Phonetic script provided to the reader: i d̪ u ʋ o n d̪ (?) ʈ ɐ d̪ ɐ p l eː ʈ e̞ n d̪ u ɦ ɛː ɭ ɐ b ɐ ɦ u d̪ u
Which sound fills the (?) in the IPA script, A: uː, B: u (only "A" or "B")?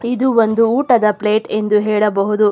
A